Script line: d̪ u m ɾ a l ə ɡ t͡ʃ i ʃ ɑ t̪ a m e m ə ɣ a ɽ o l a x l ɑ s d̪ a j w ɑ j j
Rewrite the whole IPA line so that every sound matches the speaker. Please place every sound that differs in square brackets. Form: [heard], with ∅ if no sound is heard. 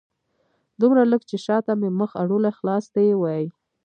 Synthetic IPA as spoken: d̪ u m ɾ a l ə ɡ t͡ʃ [e] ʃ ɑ t̪ a m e m ə [x] a ɽ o l a x l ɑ s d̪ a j w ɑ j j